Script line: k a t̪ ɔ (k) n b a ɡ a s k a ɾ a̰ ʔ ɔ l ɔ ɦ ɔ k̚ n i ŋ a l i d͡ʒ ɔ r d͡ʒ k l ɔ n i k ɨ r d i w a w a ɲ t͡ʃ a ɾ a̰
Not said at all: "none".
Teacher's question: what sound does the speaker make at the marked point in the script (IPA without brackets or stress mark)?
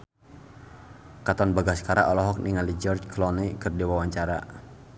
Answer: none